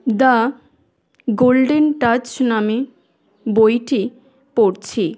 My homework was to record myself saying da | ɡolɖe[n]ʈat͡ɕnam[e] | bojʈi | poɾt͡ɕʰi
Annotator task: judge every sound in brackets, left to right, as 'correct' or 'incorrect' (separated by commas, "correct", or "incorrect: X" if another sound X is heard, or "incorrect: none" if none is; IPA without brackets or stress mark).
correct, correct